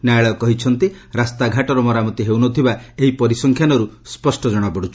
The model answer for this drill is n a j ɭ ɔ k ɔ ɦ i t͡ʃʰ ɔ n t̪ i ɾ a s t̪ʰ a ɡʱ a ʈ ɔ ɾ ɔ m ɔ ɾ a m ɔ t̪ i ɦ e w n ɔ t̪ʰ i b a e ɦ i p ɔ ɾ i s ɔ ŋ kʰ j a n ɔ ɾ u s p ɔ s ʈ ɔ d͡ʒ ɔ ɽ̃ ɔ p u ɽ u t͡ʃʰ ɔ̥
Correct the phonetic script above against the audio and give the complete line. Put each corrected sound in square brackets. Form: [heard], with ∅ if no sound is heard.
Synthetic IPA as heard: n a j ɭ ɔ k ɔ ɦ i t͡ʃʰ ɔ n t̪ i ɾ a s [t̪] a ɡʱ a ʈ ɔ ɾ ɔ m ɔ ɾ a m ɔ t̪ i ɦ e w n ɔ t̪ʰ i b a e ɦ i p ɔ ɾ i s ɔ ŋ kʰ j a n ɔ ɾ u s p ɔ s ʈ ɔ d͡ʒ ɔ ɽ̃ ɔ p [ɔ] ɽ u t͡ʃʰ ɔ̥